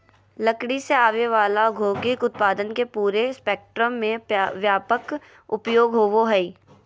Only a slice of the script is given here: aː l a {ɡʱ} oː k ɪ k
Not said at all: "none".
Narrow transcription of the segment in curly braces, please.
ɡʱ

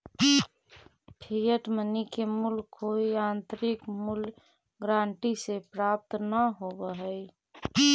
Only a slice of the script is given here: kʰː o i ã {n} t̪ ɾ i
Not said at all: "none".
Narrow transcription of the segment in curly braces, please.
n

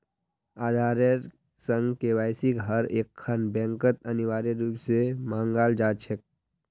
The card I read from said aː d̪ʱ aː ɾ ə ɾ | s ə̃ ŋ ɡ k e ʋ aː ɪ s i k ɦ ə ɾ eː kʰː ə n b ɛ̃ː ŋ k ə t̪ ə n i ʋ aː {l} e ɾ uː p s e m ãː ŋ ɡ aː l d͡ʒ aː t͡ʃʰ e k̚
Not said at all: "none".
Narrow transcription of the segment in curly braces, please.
ɾ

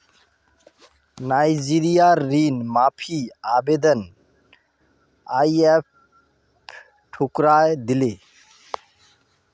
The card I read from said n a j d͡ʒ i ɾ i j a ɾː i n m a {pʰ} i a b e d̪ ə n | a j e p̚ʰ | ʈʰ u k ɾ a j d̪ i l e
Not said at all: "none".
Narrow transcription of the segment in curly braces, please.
pʰ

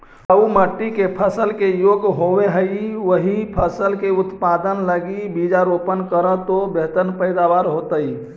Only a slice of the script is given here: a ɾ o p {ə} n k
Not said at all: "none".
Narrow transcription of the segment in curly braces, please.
ə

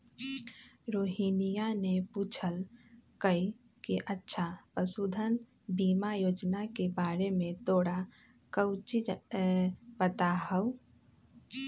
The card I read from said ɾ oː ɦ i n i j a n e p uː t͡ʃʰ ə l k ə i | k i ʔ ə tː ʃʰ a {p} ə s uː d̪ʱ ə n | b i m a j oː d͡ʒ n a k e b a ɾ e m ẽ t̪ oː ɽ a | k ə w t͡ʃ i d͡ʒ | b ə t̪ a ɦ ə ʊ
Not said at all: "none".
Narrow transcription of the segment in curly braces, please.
p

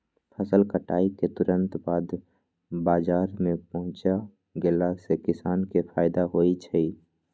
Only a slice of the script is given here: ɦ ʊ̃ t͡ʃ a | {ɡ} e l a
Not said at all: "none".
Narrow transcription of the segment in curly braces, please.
ɡ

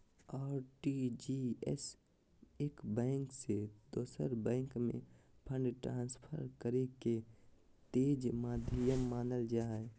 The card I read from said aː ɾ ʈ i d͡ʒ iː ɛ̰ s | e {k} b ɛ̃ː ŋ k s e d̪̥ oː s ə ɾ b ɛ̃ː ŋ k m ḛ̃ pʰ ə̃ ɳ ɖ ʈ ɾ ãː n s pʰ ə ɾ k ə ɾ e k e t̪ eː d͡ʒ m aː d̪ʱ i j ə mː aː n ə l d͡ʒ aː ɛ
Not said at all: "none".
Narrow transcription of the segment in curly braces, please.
k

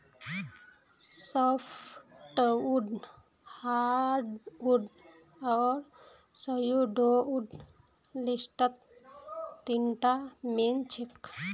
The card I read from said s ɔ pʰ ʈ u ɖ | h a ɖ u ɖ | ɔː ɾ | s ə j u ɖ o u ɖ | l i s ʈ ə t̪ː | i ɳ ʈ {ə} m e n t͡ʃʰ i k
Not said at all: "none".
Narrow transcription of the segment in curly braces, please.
a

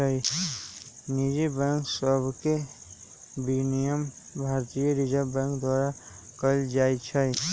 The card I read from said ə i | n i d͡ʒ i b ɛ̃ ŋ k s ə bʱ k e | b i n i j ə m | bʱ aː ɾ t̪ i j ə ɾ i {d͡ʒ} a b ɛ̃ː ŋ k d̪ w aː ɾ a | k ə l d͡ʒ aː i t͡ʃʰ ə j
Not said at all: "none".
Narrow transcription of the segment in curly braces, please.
d͡ʒ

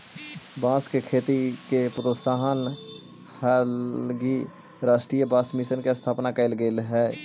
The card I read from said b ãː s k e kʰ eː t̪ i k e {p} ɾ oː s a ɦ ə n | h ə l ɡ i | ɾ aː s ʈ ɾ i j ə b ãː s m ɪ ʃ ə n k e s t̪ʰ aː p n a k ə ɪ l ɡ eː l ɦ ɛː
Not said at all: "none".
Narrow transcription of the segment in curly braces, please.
p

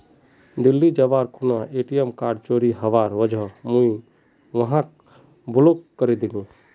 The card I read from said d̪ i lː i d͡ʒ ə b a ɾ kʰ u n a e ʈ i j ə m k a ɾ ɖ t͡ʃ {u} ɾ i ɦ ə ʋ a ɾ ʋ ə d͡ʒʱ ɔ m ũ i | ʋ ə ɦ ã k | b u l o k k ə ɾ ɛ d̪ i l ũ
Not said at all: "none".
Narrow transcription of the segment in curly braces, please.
o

